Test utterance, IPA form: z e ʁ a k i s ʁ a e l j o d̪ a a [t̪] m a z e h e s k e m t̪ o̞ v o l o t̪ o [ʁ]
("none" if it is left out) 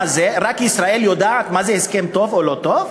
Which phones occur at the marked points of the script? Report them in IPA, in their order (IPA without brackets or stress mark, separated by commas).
t̪, v